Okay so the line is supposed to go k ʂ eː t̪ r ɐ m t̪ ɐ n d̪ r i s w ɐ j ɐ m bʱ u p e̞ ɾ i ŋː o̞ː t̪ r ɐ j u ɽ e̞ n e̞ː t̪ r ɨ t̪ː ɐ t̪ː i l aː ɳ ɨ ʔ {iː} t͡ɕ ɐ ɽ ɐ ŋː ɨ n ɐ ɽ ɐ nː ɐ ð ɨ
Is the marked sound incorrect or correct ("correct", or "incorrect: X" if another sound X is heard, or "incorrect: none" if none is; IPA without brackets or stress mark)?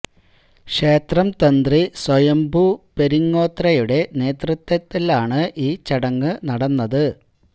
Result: correct